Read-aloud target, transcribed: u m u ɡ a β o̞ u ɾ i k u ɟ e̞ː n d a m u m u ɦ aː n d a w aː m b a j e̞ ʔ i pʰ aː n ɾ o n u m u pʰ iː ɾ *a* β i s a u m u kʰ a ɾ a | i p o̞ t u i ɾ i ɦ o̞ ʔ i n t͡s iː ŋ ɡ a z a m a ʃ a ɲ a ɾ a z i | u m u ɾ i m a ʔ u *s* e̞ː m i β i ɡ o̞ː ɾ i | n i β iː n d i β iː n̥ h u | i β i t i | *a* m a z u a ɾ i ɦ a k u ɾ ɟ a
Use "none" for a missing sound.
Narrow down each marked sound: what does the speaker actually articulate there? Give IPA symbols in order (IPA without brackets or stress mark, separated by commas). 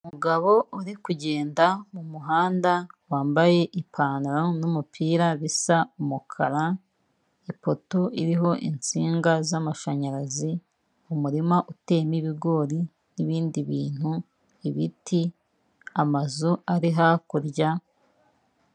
a, t, a